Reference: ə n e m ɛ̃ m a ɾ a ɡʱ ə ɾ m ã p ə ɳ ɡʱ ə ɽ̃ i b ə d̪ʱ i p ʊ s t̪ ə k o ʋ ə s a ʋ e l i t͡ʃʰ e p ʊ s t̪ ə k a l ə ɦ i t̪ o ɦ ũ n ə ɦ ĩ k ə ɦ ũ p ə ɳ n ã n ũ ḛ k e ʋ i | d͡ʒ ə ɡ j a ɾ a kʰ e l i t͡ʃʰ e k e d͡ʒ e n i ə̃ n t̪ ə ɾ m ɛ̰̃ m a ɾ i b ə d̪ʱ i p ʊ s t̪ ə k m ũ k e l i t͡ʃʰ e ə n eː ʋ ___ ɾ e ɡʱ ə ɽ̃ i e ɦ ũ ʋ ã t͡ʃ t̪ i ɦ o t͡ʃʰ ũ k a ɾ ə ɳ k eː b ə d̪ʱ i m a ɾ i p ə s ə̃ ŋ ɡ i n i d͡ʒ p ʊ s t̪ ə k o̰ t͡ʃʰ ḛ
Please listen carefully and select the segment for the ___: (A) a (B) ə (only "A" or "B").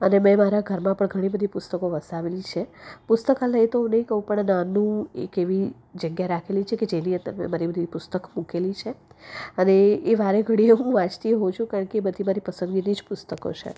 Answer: A